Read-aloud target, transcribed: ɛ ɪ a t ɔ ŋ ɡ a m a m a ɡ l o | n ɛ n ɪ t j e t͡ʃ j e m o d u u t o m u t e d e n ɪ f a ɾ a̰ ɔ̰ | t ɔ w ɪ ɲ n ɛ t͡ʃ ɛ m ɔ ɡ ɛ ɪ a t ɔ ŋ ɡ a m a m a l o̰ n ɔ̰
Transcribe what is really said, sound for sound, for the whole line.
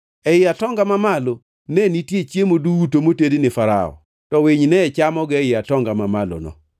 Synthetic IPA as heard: ɛ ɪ a t ɔ ŋ ɡ a m a m a l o | n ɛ n i t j e t͡ʃ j e m o d u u t o m o t e d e n ɪ f a ɾ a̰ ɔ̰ | t ɔ w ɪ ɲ n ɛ t͡ʃ a m ɔ ɡ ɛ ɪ a t ɔ ŋ ɡ a m a m a l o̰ n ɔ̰